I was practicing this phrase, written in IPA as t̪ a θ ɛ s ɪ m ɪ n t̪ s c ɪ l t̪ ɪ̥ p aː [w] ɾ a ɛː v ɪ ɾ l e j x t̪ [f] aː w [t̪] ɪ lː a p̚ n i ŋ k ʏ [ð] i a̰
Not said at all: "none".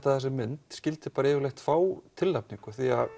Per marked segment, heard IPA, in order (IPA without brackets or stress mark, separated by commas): none, f, t̪ʰ, θ